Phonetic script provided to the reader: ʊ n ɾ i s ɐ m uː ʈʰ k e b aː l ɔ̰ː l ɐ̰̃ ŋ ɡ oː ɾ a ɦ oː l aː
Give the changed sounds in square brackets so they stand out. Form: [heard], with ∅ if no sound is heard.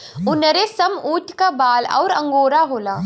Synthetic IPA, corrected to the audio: ʊ n ɾ [e] s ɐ m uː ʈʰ k [a] b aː l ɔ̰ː [ɾ] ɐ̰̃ ŋ ɡ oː ɾ a ɦ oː l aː